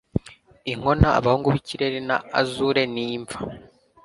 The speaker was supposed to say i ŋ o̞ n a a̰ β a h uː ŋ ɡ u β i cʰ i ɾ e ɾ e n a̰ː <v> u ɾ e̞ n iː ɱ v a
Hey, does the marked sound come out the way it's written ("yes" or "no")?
no